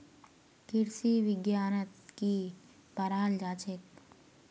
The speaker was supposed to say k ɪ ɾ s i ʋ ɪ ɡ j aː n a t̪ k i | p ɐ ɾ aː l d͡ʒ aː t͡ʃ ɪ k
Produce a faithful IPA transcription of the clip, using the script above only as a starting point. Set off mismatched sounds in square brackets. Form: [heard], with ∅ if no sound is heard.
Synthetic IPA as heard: k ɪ ɾ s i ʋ ɪ ɡ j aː n [ə] t̪ k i | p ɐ ɾ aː l d͡ʒ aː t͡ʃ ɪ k